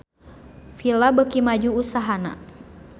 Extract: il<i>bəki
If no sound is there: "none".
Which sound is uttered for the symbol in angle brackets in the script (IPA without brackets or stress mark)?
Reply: a